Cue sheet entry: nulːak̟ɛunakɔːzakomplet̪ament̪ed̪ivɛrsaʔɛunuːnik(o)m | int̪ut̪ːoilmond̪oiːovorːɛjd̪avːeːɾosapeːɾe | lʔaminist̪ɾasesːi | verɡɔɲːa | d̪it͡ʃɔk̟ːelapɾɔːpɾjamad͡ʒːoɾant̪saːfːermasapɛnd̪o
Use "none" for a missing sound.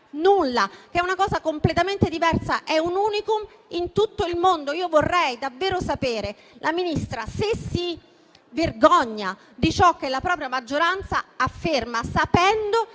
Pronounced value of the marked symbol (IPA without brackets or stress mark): u